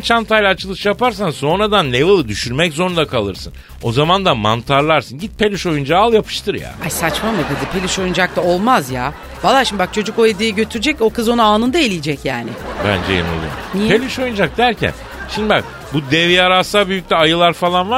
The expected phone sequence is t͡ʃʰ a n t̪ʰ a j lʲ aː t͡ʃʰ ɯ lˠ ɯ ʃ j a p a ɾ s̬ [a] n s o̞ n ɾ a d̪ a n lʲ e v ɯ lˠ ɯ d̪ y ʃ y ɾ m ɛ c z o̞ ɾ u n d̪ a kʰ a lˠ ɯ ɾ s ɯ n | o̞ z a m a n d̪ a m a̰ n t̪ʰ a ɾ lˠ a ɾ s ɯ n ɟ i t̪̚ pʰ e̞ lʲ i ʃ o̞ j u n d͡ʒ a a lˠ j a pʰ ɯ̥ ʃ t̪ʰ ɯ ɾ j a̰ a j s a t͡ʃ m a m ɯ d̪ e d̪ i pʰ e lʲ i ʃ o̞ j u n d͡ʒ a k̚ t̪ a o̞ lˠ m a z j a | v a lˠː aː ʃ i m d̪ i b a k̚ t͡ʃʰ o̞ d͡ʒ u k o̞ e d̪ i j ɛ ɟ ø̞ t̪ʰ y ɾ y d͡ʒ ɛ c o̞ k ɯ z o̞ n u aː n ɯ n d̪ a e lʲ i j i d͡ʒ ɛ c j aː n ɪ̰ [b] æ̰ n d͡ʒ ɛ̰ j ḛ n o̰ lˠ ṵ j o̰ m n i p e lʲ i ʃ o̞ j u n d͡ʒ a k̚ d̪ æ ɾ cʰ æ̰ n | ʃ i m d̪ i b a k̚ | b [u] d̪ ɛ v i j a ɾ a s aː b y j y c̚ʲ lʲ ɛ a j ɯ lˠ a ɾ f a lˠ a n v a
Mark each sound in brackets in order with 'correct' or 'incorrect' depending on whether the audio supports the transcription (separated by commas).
correct, correct, correct